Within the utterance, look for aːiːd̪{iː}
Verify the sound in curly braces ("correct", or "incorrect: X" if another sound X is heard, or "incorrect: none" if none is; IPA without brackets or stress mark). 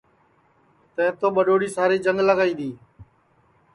correct